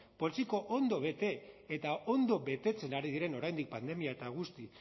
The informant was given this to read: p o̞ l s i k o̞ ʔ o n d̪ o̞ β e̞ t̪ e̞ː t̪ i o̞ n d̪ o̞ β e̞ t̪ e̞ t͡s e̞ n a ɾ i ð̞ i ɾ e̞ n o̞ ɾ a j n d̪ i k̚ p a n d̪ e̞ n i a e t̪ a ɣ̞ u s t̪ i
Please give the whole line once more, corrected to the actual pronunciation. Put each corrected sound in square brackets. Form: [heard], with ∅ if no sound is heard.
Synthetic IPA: p o̞ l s i k o̞ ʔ o n d̪ o̞ β e̞ t̪ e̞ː t̪ [a] o̞ n d̪ o̞ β e̞ t̪ e̞ t͡s e̞ n a ɾ i ð̞ i ɾ e̞ n o̞ ɾ a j n d̪ i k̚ p a n d̪ e̞ [m] i a e t̪ a ɣ̞ u s t̪ i